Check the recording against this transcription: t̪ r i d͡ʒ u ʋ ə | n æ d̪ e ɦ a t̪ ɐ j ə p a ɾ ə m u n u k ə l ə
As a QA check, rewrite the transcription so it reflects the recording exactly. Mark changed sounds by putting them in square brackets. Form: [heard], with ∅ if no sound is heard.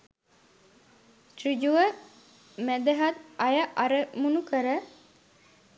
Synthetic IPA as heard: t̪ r i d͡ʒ u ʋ ə | [m] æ d̪ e ɦ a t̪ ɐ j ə [ʔ] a ɾ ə m u n u k ə [ɾ] ə